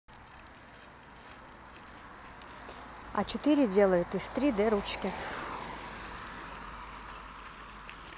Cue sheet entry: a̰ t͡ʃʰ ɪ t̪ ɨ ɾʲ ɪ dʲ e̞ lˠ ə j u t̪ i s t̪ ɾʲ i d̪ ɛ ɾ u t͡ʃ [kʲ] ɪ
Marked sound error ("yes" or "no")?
no